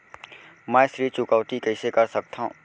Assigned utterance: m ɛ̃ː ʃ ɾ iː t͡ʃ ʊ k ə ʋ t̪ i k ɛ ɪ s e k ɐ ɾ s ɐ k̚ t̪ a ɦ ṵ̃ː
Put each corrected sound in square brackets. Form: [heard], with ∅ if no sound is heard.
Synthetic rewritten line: m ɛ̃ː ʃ ɾ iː t͡ʃ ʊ k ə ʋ t̪ i k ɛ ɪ s e k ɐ ɾ s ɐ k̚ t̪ a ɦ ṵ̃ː